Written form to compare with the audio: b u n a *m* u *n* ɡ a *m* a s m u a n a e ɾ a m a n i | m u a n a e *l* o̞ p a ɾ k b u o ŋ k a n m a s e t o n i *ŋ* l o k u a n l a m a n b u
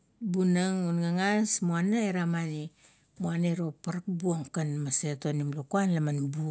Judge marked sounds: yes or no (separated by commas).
no, yes, no, no, no